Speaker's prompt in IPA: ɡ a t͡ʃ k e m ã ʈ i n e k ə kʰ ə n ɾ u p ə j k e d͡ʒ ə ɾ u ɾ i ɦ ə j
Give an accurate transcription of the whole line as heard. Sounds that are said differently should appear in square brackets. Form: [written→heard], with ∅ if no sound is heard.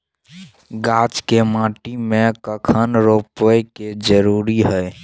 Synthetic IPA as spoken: ɡ a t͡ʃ k e m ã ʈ i [n→m] e k ə kʰ ə n ɾ [u→o] p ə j k e d͡ʒ ə ɾ u ɾ i ɦ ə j